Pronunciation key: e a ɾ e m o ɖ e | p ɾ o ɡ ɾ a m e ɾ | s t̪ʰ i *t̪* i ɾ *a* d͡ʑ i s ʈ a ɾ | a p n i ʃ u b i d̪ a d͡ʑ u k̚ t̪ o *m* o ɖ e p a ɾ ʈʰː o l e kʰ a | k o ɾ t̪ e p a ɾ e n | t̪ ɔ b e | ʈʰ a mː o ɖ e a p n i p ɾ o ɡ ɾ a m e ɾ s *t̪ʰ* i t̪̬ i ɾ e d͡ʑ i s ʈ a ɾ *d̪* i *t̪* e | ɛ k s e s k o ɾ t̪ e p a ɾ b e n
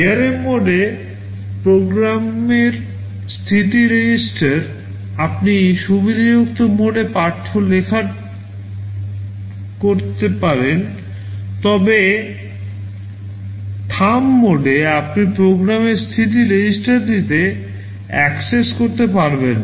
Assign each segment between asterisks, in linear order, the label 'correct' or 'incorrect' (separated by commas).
correct, incorrect, correct, correct, correct, correct